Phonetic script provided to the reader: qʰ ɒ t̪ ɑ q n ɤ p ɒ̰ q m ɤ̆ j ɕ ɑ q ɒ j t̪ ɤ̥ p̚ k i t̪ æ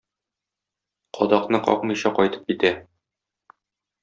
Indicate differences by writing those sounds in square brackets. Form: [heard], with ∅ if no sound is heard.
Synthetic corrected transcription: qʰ ɒ [d̪] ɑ q n ɤ [q] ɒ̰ q m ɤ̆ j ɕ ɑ q ɒ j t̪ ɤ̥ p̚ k i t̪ æ